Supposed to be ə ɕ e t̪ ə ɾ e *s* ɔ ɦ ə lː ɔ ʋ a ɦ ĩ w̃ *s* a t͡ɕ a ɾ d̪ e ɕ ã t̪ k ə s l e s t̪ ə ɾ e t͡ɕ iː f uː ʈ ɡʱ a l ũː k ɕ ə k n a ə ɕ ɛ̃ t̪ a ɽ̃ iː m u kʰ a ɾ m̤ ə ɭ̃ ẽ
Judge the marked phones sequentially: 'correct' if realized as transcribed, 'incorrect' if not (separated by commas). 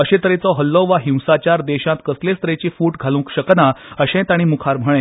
incorrect, correct